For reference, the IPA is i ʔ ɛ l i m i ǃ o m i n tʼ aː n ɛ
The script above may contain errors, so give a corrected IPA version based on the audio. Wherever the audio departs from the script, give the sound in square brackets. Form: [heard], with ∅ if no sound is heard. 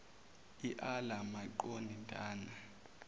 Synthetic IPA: i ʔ [a] l [a] m [a] ǃ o [n] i n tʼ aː n [a]